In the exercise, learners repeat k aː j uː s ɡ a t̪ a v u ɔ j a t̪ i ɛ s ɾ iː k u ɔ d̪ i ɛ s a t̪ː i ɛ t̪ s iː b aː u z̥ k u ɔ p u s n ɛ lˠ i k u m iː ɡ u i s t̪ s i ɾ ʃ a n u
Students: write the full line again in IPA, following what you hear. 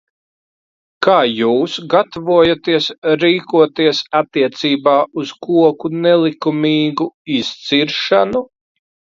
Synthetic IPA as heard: k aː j uː s ɡ a t̪ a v u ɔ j a t̪ i ɛ s ɾ iː k u ɔ t̪ i ɛ s a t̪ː i ɛ t̪ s iː b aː u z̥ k u ɔ k u n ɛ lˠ i k u m iː ɡ u i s t̪ s i ɾ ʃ a n u